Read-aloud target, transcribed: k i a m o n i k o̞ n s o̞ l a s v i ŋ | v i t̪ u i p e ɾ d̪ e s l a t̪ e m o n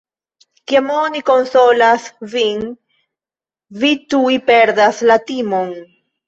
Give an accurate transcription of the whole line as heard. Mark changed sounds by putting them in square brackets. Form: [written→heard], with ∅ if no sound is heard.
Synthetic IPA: k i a m o n i k o̞ n s o̞ l a s v i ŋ | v i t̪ u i p e ɾ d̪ [e→a] s l a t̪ [e→i] m o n